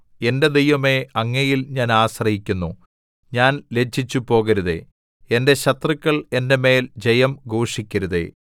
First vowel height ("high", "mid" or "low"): mid